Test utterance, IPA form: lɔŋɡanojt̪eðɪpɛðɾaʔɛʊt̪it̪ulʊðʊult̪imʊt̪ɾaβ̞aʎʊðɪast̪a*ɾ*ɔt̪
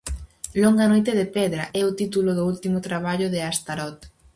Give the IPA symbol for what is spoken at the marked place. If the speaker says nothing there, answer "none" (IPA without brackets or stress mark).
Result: ɾ